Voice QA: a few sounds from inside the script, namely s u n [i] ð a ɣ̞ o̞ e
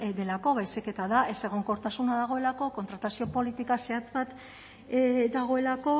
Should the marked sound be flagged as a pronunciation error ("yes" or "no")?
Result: yes